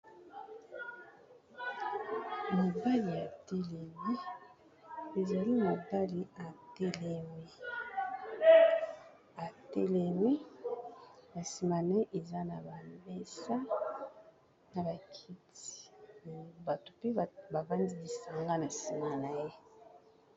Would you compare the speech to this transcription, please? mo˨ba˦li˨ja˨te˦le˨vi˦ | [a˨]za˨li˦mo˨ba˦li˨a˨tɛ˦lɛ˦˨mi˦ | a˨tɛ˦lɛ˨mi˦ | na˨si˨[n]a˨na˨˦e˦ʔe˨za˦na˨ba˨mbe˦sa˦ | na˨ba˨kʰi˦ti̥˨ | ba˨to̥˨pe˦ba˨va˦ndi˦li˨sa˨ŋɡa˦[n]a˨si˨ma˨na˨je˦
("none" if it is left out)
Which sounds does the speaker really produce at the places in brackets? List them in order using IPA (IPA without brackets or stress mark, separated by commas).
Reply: e˨, m, n